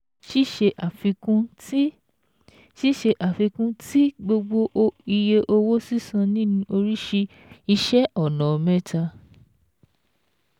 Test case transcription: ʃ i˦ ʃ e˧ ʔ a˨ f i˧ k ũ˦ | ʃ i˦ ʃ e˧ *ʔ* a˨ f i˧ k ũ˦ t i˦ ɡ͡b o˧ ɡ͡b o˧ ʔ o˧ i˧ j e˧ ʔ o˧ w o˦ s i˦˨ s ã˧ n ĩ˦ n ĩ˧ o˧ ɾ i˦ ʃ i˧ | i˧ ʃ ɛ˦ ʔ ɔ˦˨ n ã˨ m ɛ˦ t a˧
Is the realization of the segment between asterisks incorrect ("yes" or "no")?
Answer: no